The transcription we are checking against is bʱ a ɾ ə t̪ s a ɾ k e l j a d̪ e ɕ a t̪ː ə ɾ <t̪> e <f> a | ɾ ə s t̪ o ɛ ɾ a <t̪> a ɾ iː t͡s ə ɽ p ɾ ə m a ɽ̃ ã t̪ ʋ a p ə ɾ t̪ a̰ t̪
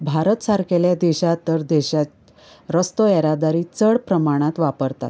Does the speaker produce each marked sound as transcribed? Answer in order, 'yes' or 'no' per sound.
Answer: no, no, no

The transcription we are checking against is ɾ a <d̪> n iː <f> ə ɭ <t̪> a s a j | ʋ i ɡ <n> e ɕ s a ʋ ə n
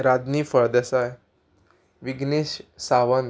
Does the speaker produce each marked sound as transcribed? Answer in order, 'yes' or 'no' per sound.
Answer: yes, yes, no, yes

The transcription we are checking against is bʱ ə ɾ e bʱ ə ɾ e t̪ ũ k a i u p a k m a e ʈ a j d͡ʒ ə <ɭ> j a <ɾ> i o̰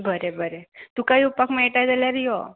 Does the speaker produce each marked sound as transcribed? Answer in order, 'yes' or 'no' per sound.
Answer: no, yes

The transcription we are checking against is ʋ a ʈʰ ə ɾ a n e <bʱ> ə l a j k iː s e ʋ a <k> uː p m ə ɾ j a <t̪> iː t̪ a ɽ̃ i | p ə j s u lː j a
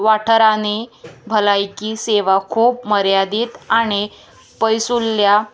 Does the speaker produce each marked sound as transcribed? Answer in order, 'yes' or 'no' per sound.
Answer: yes, no, no

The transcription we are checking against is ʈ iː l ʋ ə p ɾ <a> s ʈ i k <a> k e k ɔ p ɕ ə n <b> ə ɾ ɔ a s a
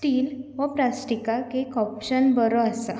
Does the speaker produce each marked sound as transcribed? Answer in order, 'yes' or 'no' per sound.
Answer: yes, yes, yes

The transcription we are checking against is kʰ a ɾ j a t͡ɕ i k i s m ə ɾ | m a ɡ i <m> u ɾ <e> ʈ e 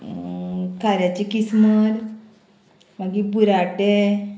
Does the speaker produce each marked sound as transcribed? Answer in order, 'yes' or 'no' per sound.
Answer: no, no

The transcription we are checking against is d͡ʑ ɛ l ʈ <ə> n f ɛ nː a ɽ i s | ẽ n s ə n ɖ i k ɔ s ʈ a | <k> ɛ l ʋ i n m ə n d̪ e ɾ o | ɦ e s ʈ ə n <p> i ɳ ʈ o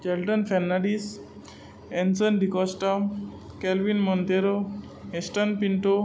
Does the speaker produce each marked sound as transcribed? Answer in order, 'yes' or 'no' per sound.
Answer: yes, yes, yes

